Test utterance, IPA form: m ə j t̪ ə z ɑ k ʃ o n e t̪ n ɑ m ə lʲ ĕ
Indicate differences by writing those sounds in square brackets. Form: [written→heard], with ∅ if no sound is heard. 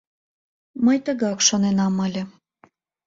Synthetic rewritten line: m ə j t̪ ə [z→ɣ] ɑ k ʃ o n e [t̪→∅] n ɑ m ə lʲ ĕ